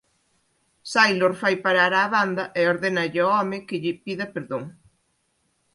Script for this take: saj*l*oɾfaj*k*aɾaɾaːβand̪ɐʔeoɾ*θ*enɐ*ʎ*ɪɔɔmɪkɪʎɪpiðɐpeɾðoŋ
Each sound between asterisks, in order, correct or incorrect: correct, incorrect: p, incorrect: ð, correct

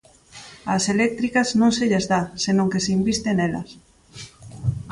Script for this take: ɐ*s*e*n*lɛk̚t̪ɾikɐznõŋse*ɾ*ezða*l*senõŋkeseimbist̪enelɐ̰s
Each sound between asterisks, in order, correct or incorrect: correct, incorrect: none, incorrect: ʎ, incorrect: none

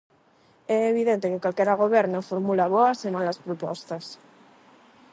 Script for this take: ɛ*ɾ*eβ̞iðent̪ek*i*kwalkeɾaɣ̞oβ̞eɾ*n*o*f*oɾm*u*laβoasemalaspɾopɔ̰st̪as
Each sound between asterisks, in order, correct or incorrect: incorrect: none, incorrect: e, correct, correct, correct

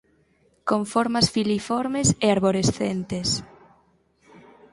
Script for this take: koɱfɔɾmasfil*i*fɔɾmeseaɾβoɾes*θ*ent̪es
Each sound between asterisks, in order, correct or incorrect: correct, correct

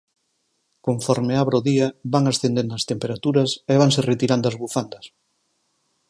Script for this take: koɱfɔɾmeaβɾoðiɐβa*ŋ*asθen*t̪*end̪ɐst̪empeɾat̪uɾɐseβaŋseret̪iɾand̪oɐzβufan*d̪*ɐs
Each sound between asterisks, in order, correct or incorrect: correct, incorrect: d̪, correct

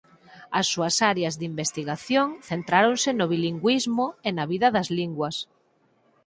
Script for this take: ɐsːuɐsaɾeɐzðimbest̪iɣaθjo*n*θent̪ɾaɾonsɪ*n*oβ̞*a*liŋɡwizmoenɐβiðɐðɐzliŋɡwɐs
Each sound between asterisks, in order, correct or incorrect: incorrect: ŋ, correct, incorrect: i

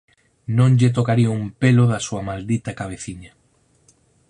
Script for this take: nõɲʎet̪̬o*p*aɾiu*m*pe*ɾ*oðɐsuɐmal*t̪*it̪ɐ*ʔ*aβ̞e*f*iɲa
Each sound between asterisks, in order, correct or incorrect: incorrect: k, correct, incorrect: l, incorrect: d̪, incorrect: k, incorrect: θ

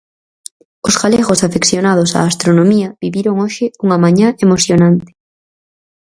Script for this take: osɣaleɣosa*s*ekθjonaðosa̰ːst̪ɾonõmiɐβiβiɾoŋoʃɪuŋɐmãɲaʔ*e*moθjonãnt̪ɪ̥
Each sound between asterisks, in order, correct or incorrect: incorrect: f, correct

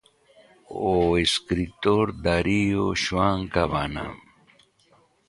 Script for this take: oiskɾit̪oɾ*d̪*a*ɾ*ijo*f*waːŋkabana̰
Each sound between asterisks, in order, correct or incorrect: correct, correct, incorrect: ɕ

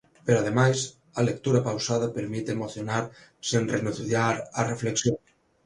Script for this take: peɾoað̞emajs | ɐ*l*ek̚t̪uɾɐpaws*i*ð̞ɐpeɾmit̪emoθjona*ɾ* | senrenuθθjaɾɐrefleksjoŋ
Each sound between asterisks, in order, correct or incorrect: correct, incorrect: a, correct

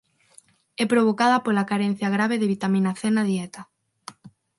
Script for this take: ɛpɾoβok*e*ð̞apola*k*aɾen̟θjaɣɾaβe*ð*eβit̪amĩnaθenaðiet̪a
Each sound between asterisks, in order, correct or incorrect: incorrect: a, correct, correct

